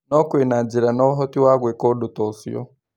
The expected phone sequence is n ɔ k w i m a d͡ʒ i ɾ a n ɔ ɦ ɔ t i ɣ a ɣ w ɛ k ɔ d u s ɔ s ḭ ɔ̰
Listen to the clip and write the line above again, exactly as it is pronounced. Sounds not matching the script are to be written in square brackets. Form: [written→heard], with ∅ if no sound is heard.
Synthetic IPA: n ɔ k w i [m→n] a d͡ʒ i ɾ a n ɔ ɦ ɔ t i [ɣ→w] a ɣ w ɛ k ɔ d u [s→t] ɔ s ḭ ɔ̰